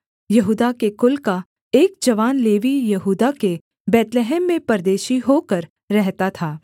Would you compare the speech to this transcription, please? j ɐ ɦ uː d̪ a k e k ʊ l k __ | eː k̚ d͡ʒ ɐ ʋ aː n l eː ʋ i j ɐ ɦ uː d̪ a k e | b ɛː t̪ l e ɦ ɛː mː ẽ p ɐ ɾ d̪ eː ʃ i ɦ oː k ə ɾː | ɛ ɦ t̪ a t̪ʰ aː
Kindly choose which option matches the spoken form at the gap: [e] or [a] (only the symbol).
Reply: a